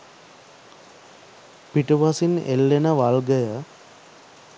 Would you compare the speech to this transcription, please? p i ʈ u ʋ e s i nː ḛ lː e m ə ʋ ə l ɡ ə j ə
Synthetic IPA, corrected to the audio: p i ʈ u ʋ a s i n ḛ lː e n ə ʋ a l ɡ ə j ə